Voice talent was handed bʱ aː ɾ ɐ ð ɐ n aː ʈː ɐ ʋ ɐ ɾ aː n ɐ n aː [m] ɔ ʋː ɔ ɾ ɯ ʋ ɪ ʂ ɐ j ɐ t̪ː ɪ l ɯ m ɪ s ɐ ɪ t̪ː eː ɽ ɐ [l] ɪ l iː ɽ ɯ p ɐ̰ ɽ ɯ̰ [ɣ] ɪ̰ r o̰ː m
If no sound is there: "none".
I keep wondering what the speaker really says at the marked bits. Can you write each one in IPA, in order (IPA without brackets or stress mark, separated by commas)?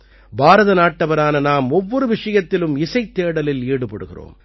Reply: m, l, ɣ